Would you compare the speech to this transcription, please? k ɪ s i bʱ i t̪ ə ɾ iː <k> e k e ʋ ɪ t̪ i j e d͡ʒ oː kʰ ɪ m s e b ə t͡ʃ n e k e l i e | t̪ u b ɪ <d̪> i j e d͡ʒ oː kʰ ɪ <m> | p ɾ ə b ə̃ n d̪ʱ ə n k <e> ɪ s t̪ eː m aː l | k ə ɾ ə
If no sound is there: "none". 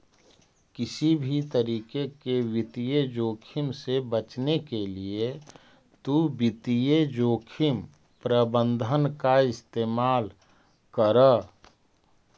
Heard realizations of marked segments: k, t̪, m, a

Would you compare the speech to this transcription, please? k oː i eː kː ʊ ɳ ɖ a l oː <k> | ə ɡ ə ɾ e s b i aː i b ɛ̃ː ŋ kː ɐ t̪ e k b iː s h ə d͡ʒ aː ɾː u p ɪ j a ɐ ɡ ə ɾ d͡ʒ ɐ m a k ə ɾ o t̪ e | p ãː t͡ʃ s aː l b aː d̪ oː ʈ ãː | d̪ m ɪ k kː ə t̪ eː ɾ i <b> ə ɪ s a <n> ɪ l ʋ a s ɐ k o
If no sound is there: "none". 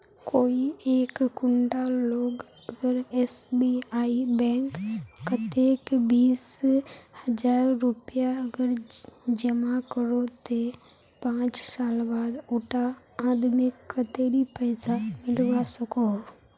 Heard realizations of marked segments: ɡ, p, m

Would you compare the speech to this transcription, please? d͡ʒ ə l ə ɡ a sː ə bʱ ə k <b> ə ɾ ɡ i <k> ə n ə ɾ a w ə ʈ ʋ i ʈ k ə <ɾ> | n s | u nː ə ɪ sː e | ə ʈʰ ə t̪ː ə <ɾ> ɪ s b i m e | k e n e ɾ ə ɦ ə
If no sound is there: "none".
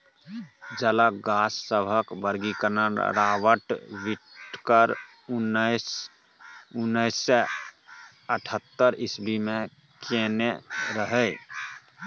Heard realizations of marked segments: b, k, ɾ, ɾ

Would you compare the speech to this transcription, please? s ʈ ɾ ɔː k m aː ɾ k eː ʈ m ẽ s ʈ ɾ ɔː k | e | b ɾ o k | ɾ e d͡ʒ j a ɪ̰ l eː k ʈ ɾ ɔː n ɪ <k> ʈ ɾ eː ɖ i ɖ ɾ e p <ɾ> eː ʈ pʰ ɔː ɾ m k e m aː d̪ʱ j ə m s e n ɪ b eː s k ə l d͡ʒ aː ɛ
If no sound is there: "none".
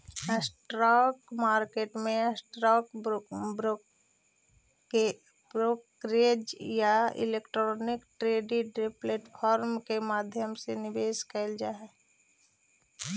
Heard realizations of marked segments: k, l

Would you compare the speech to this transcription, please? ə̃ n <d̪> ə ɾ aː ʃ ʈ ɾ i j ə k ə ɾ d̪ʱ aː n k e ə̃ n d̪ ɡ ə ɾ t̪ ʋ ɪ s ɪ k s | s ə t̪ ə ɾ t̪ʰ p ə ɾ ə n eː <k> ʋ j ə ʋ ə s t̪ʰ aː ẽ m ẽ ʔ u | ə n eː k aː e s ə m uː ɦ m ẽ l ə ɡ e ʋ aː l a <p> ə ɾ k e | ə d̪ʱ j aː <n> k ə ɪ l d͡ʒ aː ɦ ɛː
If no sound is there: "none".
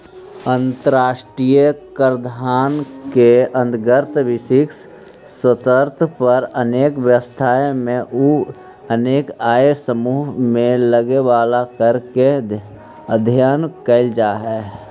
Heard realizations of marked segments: t̪, k, k, n

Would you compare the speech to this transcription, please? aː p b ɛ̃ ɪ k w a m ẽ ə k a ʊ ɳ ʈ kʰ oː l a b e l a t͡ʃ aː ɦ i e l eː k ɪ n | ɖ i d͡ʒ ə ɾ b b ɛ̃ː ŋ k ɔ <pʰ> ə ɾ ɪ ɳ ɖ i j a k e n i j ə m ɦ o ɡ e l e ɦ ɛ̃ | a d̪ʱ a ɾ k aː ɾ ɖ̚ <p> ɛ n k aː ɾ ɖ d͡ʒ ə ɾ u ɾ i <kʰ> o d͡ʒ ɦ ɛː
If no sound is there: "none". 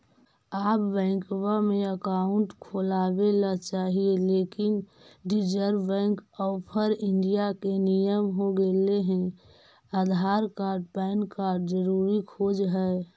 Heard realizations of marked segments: pʰ, p, kʰ

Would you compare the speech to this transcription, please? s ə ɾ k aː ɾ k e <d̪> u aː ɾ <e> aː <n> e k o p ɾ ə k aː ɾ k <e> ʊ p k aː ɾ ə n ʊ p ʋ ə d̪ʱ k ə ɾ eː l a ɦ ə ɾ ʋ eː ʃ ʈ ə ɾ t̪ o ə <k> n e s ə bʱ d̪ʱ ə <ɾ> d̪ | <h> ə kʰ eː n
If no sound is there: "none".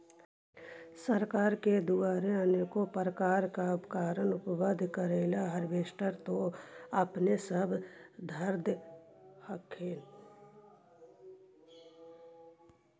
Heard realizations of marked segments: d̪, e, n, a, p, ɾ, h

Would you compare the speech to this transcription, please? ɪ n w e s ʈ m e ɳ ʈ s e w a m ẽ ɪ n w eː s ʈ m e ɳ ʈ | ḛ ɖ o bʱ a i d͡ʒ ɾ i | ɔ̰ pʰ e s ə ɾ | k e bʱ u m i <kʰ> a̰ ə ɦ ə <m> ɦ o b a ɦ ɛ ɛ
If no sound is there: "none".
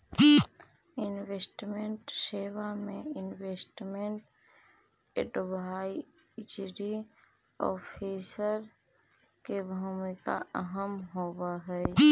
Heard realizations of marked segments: k, m

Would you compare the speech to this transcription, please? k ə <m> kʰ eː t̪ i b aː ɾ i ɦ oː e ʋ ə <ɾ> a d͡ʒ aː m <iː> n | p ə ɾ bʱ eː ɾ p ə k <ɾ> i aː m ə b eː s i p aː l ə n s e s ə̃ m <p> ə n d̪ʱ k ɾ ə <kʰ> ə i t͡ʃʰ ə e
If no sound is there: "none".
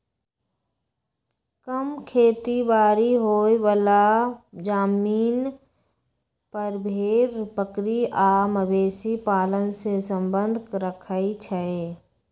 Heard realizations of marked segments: m, l, iː, ɾ, b, kʰ

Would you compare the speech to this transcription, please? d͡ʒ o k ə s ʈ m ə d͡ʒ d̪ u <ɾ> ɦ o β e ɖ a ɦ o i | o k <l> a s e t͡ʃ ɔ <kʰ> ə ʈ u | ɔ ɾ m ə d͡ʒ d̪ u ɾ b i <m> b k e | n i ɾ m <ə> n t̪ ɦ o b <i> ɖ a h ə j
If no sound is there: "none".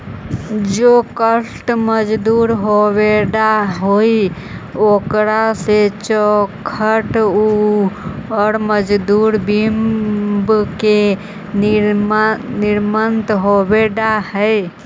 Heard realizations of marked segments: ɾ, ɾ, kʰ, m, ə, e

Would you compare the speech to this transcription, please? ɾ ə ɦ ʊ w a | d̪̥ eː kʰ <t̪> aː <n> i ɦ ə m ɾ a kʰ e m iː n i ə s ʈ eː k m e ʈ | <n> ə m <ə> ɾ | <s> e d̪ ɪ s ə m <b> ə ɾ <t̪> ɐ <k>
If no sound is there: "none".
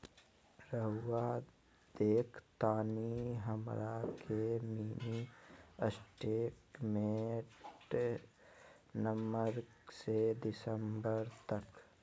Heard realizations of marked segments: t̪, n, n, ə, s, b, t̪, k

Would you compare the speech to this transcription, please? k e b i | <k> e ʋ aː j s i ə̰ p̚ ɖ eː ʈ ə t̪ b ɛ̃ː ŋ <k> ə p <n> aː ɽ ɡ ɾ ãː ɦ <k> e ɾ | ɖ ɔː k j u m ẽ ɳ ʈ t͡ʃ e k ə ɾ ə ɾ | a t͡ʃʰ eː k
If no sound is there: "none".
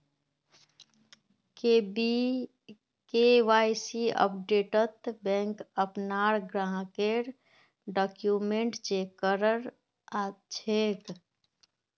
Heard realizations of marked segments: k, k, n, k

